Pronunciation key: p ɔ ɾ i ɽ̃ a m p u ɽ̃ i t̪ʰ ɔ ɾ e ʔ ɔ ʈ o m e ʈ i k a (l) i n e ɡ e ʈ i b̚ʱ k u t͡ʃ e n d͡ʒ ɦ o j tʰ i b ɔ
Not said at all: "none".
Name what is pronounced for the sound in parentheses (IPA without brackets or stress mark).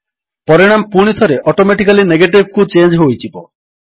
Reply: l